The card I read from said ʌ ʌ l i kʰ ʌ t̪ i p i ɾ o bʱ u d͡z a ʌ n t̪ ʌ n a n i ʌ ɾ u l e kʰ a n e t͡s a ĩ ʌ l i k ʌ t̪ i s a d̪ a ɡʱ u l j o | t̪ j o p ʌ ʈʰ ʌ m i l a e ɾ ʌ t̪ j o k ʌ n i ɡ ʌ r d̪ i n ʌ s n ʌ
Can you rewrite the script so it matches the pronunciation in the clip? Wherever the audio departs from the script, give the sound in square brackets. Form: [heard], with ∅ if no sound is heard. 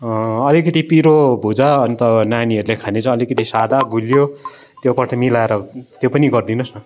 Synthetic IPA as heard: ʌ ʌ l i [k] ʌ t̪ i p i ɾ o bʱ u d͡z a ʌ n t̪ ʌ n a n i ʌ ɾ u l e kʰ a n e t͡s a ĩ ʌ l i k ʌ t̪ i s a d̪ a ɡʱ u l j o | t̪ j o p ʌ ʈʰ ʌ m i l a e ɾ ʌ t̪ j o [p] ʌ n i ɡ ʌ r d̪ i n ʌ s n ʌ